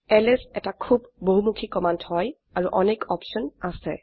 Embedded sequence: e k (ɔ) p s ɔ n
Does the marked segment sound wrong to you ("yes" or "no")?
no